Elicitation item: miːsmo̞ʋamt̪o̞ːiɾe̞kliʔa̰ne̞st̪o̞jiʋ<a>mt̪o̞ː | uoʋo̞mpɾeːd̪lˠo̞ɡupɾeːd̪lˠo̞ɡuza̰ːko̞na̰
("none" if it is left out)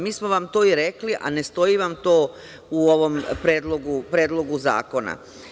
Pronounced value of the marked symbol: a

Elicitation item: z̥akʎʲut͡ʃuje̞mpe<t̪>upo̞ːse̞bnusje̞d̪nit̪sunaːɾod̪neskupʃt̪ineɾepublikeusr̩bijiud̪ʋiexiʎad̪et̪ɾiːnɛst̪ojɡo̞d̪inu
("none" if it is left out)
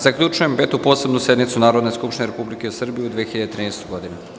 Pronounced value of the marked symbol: t̪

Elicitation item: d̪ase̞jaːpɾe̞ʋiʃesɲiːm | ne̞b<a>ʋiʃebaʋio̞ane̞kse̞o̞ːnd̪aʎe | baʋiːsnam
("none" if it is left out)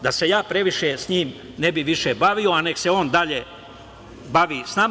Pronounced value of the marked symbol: i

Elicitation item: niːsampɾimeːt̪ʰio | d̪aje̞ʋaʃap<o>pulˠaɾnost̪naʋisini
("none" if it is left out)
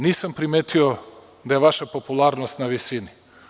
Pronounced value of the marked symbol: o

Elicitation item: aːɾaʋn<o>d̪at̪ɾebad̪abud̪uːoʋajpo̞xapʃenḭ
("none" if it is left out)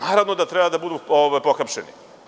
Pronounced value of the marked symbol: o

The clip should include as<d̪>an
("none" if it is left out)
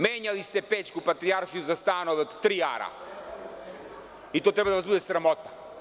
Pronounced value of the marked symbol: t̪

